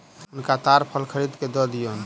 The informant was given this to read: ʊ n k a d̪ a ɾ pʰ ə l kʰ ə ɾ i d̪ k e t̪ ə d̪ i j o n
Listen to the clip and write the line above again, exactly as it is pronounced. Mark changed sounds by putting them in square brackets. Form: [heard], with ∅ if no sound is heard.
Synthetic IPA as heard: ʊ n k a [t̪] a ɾ pʰ ə l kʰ ə ɾ i d̪ k e [d̪] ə d̪ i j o n